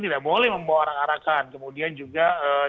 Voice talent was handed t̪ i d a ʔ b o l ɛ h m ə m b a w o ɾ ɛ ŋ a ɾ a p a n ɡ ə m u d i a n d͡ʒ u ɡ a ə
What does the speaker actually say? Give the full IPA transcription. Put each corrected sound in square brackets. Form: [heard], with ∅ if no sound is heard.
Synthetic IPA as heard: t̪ i d a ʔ b o l ɛ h m ə m b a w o ɾ [a] ŋ a ɾ a [k] a n [k] ə m u d i a n d͡ʒ u ɡ a ə

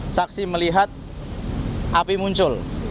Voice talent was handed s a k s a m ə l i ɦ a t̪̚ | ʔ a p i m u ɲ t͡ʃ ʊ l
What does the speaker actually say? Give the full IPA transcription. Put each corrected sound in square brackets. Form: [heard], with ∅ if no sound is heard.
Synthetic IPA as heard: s a k s [i] m ə l i ɦ a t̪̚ | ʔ a p i m u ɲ t͡ʃ ʊ l

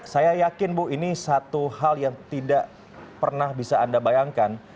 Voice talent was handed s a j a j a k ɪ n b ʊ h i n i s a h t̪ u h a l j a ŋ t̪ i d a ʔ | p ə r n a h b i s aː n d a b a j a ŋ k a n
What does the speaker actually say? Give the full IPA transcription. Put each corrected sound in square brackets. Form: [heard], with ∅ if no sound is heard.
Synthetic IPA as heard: s a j a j a k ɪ n b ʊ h i n i s a [∅] t̪ u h a l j a ŋ t̪ i d a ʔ | p ə r n a h b i s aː n d a b a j a ŋ k a n

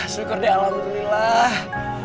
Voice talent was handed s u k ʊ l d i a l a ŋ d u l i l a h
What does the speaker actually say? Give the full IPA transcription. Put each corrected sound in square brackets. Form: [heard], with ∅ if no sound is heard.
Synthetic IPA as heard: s u k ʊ [r] d i a l a [m] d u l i l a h

